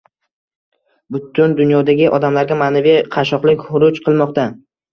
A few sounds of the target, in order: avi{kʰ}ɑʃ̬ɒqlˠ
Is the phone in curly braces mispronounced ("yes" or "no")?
yes